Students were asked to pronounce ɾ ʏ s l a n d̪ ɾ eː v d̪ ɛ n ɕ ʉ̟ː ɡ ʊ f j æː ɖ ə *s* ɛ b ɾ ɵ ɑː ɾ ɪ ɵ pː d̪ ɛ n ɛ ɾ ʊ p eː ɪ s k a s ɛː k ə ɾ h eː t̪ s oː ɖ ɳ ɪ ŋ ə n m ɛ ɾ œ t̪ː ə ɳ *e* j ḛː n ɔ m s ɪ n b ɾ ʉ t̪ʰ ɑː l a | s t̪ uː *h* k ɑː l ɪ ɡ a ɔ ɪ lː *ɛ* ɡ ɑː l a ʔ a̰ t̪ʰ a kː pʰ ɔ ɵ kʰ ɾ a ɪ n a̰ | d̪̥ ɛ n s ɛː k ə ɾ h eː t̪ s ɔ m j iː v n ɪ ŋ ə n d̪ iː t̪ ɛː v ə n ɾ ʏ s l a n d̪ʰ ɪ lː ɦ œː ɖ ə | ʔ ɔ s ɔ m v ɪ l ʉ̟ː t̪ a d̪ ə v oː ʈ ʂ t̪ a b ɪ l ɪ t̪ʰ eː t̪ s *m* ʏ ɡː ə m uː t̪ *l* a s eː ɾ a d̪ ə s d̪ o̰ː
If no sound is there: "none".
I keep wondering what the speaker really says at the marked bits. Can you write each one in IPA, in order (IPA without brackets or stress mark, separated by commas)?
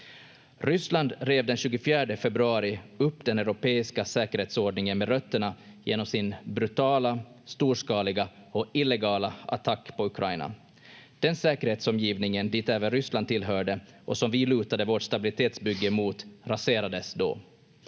f, a, ʂ, ɛ, b, ɾ